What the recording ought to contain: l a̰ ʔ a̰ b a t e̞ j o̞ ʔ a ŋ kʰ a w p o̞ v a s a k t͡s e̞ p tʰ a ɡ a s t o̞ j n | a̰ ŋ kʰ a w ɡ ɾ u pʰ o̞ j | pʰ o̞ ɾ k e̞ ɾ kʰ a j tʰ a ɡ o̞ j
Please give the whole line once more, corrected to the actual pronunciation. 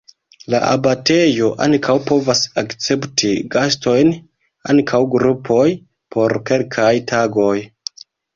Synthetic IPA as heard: l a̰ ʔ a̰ b a t e̞ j o̞ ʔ a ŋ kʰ a w p o̞ v a s a k t͡s e̞ p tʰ i ɡ a s t o̞ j n | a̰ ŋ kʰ a w ɡ ɾ u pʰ o̞ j | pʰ o̞ ɾ k e̞ l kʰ a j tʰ a ɡ o̞ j